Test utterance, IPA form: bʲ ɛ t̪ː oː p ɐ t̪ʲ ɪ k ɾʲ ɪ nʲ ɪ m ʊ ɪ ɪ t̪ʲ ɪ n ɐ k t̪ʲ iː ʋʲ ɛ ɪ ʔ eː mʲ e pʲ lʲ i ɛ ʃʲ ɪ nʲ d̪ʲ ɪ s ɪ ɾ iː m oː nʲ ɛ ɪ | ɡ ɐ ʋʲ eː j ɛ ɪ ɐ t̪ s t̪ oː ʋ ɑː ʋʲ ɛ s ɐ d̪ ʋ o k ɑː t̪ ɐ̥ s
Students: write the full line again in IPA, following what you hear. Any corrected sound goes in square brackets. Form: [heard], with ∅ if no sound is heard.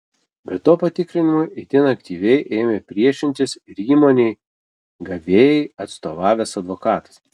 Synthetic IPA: bʲ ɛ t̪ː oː p ɐ t̪ʲ ɪ k ɾʲ ɪ nʲ ɪ m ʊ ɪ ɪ t̪ʲ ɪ n ɐ k t̪ʲ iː ʋʲ ɛ ɪ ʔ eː mʲ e pʲ [ɾʲ] i ɛ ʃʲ ɪ nʲ [t̪ʲ] ɪ s ɪ ɾ iː m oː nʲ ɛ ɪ | ɡ ɐ ʋʲ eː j ɛ ɪ ɐ t̪ s t̪ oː ʋ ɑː ʋʲ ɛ s ɐ d̪ ʋ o k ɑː t̪ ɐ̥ s

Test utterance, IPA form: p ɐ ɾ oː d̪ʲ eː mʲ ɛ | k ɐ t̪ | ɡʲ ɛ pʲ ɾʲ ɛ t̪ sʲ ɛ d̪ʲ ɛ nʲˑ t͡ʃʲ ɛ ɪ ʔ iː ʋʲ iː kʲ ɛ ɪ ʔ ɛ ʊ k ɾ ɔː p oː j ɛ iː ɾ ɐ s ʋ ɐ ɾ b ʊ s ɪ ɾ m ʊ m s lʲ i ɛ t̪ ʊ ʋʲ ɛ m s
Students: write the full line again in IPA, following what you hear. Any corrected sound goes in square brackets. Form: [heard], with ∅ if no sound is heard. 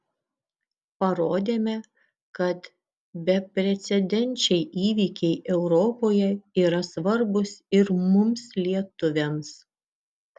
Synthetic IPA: p ɐ ɾ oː d̪ʲ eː mʲ ɛ | k ɐ t̪ | [bʲ] ɛ pʲ ɾʲ ɛ t̪ sʲ ɛ d̪ʲ ɛ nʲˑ t͡ʃʲ ɛ ɪ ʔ iː ʋʲ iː kʲ ɛ ɪ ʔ ɛ ʊ [∅] ɾ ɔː p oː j ɛ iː ɾ ɐ s ʋ ɐ ɾ b ʊ s ɪ ɾ m ʊ m s lʲ i ɛ t̪ ʊ ʋʲ ɛ m s

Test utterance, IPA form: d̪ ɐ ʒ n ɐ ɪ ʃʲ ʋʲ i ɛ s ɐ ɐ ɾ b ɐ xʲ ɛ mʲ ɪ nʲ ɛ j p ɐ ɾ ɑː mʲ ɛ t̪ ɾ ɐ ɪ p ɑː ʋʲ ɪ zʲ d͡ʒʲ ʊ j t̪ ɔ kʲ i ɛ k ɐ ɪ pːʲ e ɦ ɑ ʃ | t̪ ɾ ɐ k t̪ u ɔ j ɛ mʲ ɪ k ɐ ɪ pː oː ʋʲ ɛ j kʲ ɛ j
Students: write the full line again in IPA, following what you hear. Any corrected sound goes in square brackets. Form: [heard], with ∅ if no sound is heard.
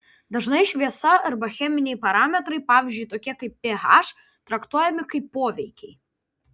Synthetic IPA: d̪ ɐ ʒ n ɐ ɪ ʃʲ ʋʲ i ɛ s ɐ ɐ ɾ b ɐ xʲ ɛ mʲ ɪ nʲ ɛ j p ɐ ɾ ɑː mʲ ɛ t̪ ɾ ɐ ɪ p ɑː ʋʲ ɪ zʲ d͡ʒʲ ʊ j t̪ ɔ kʲ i ɛ k ɐ ɪ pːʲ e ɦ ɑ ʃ | t̪ ɾ ɐ k t̪ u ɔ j ɛ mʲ ɪ k ɐ ɪ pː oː ʋʲ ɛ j kʲ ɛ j

